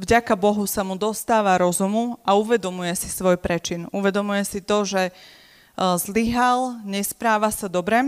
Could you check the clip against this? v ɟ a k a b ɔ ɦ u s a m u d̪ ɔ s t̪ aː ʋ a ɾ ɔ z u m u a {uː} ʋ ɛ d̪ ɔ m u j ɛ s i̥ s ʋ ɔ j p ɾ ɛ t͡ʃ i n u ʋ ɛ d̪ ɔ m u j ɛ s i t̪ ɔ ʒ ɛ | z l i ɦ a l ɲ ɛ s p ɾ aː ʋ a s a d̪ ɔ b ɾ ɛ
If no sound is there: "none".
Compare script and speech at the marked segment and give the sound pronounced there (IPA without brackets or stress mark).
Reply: u